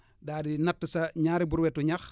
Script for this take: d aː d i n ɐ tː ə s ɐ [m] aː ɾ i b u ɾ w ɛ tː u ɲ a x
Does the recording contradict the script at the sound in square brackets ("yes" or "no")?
yes